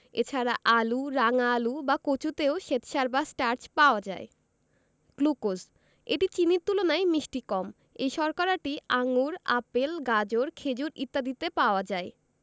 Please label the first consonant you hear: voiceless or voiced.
voiceless